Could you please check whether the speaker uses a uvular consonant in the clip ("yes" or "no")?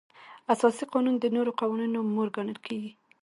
yes